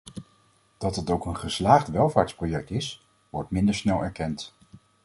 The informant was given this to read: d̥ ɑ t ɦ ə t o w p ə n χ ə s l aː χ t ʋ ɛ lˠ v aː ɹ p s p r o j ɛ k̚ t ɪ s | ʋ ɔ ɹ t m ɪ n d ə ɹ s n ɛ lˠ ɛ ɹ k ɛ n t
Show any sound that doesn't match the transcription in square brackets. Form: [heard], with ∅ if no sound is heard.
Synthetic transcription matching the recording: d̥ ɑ t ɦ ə t o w [k] ə n χ ə s l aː χ t ʋ ɛ lˠ v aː ɹ [t] s p r o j ɛ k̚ t ɪ s | ʋ ɔ ɹ t m ɪ n d ə ɹ s n ɛ lˠ ɛ ɹ k ɛ n t